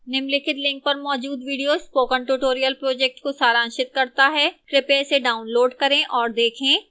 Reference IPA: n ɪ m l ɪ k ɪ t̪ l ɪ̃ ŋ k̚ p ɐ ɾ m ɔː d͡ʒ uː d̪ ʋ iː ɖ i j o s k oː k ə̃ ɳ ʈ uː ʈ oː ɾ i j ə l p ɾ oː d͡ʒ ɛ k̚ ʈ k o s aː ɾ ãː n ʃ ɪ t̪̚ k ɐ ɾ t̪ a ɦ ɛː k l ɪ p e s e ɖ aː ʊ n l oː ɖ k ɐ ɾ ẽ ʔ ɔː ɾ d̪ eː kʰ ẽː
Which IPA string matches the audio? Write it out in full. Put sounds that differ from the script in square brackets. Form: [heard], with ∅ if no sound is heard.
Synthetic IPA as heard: n ɪ m l ɪ k ɪ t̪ l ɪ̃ ŋ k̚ p ɐ ɾ m ɔː d͡ʒ uː d̪ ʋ iː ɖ i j o s [p] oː k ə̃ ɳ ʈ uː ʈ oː ɾ i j ə l p ɾ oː d͡ʒ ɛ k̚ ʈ k o s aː ɾ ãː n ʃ ɪ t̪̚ k ɐ ɾ t̪ a ɦ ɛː k [ɾ] ɪ p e s e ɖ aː ʊ n l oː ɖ k ɐ ɾ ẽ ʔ ɔː ɾ d̪ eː kʰ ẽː

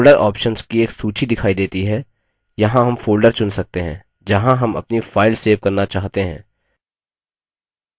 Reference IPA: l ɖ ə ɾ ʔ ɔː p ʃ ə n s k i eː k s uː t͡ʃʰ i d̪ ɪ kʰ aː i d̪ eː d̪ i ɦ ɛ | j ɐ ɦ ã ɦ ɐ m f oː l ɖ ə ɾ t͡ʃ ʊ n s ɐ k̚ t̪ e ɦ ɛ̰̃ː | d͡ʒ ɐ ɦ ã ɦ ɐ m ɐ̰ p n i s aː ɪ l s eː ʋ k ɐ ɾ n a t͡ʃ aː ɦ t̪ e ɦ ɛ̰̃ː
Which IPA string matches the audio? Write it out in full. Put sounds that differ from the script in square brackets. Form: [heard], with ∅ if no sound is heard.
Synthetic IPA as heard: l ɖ ə ɾ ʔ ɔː p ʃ ə n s k i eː k s uː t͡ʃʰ i d̪ ɪ kʰ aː i d̪ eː [t̪] i ɦ ɛ | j ɐ ɦ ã ɦ ɐ m f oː l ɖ ə ɾ t͡ʃ ʊ n s ɐ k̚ t̪ e ɦ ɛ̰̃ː | d͡ʒ ɐ ɦ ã ɦ ɐ m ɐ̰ p n i [f] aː ɪ l s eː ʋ k ɐ ɾ n a t͡ʃ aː ɦ t̪ e ɦ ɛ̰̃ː

